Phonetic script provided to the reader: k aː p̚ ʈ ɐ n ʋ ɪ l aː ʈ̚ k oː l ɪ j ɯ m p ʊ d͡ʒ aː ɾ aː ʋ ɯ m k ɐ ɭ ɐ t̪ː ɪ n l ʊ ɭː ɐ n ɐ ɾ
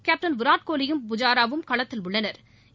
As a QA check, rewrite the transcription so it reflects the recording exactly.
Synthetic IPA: k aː p̚ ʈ ɐ n ʋ ɪ ɾ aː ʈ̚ k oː l ɪ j ɯ m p ʊ d͡ʒ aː ɾ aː ʋ ɯ m k ɐ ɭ ɐ t̪ː ɪ l ʊ ɭː ɐ n ɐ ɾ